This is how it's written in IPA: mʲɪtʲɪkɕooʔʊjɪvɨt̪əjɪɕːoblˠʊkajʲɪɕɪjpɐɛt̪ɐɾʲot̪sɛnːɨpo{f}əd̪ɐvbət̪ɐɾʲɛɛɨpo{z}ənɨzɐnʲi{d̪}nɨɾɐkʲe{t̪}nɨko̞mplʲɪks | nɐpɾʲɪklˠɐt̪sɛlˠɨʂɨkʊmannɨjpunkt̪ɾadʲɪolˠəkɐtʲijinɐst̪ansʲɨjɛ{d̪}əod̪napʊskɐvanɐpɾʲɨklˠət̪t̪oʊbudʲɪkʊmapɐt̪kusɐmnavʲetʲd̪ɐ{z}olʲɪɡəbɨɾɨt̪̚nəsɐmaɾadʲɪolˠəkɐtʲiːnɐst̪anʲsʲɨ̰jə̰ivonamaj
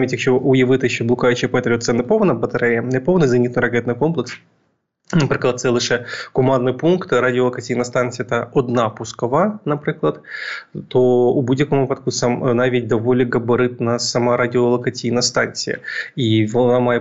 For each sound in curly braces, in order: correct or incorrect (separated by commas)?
incorrect, incorrect, incorrect, correct, incorrect, incorrect